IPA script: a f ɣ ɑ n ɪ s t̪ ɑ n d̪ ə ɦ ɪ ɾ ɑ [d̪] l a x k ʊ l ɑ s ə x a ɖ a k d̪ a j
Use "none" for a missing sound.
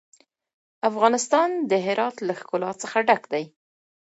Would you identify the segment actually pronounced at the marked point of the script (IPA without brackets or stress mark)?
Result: t̪